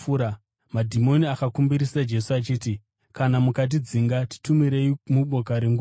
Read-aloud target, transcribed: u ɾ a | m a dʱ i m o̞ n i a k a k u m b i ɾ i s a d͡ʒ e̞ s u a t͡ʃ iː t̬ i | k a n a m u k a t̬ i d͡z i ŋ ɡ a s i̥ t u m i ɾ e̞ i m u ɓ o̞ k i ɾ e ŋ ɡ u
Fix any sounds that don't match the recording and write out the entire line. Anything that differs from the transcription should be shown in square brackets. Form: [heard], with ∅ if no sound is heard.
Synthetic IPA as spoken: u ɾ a | m a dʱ i m o̞ n i a k a k u m b i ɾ i s a d͡ʒ e̞ s u a t͡ʃ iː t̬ i | k a n a m u k a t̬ i d͡z i ŋ ɡ a [t] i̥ t u m i ɾ e̞ i m u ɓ o̞ k [a] ɾ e ŋ ɡ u